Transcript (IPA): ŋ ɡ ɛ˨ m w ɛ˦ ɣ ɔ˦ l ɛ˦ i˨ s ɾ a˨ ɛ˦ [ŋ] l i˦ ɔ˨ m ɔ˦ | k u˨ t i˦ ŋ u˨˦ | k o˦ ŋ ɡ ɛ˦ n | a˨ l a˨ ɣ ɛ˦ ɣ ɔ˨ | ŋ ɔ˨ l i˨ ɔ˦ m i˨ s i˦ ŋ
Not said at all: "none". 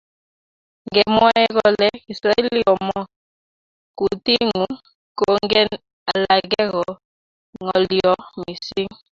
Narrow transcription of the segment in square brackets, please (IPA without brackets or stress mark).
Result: none